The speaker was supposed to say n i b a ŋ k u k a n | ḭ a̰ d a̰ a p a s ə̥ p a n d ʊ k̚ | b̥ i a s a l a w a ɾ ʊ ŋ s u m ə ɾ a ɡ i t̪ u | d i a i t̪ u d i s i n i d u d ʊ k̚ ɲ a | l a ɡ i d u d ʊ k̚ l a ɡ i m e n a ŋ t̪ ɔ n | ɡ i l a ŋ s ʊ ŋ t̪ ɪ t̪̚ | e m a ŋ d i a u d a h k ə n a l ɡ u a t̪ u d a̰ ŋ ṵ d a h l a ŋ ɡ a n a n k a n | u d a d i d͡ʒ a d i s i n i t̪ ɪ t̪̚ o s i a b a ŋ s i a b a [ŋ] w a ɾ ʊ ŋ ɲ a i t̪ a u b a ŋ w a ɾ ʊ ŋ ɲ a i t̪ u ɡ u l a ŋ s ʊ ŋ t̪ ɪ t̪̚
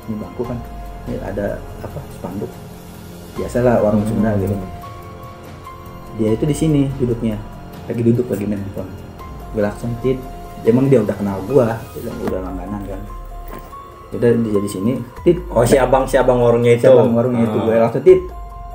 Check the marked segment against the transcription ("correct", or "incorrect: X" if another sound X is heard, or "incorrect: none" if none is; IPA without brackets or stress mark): correct